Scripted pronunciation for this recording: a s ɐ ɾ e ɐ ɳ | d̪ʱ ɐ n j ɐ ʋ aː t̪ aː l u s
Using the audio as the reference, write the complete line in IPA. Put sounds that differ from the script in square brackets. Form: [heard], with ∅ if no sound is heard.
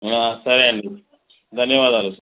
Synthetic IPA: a s ɐ ɾ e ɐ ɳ | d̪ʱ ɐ n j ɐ ʋ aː [d̪] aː l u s